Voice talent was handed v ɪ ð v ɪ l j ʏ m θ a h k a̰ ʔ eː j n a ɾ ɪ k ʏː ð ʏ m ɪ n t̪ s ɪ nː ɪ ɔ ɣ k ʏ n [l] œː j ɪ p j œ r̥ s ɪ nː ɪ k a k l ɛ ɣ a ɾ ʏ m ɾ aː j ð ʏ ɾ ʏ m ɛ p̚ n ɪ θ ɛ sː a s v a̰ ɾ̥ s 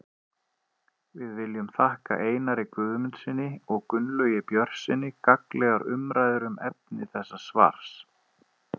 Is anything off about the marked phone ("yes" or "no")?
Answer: no